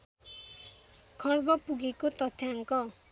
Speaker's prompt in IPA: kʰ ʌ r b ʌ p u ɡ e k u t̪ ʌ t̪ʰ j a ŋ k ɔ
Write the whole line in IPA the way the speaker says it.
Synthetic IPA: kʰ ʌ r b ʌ p u ɡ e k o t̪ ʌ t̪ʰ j a ŋ k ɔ